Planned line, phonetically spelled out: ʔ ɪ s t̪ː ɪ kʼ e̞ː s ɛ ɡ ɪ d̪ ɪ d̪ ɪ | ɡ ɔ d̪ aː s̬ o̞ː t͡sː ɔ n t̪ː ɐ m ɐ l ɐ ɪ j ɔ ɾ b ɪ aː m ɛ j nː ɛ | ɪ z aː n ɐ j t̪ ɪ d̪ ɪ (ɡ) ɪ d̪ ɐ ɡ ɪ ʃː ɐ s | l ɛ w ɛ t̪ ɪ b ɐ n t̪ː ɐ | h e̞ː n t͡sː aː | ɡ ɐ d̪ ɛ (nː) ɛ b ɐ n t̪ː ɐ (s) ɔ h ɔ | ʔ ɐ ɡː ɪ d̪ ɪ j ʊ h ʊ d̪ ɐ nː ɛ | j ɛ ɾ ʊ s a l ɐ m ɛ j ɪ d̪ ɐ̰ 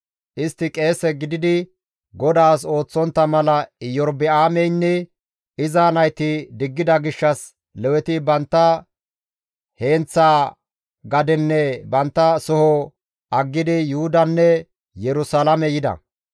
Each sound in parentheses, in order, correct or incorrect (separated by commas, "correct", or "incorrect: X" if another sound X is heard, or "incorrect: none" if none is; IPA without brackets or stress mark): incorrect: ɡː, correct, correct